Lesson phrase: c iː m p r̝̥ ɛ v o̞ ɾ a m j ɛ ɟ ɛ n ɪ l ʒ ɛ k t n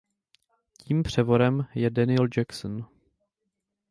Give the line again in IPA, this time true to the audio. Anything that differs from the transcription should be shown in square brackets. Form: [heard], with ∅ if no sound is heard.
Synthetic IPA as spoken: c iː m p r̝̥ ɛ v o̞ ɾ [ɛ] m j ɛ [d] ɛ n ɪ l [d͡ʒ] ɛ k [s] n